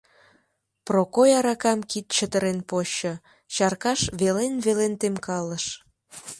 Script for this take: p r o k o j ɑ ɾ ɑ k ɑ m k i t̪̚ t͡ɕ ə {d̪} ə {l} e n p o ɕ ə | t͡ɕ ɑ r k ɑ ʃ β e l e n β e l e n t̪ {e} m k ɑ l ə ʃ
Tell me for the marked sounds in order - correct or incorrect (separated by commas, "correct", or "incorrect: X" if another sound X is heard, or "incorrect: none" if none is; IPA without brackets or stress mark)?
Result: incorrect: t̪, incorrect: ɾ, correct